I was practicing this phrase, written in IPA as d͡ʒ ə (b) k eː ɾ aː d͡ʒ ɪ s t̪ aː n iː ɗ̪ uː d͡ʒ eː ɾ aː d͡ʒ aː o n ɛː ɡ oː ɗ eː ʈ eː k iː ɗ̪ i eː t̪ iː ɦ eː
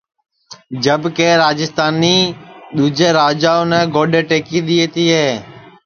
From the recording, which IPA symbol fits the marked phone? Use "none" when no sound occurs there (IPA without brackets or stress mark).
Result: b